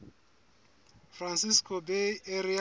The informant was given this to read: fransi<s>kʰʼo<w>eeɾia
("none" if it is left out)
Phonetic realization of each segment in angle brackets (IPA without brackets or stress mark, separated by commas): s, b